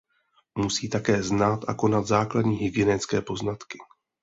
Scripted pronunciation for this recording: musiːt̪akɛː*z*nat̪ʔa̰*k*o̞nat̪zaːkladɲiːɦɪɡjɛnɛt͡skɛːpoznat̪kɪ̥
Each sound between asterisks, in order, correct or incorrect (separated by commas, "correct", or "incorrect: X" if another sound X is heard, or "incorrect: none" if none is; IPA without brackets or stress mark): correct, correct